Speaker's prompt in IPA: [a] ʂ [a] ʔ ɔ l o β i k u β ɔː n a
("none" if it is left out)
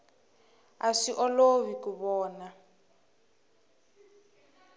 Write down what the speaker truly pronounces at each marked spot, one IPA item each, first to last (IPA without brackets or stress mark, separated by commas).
a, i